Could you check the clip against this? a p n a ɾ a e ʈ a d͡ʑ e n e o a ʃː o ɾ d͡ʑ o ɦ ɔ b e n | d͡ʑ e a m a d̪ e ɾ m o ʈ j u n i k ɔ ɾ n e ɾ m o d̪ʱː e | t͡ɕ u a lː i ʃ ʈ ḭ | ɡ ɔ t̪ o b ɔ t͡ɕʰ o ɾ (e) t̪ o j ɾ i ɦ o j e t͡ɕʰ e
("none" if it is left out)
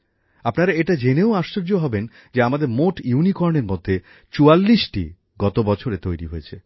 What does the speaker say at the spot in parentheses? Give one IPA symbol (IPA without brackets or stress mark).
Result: e